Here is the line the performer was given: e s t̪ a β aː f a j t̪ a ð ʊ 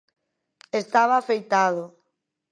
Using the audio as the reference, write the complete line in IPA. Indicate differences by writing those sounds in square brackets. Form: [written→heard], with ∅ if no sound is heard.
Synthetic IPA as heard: e s t̪ a β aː f [a→e] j t̪ a ð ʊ